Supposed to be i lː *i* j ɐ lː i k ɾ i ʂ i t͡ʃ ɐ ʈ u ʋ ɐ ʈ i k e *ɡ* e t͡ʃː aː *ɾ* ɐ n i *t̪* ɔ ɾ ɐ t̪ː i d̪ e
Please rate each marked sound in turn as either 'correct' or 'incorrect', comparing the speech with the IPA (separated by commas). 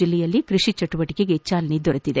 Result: incorrect, correct, incorrect, incorrect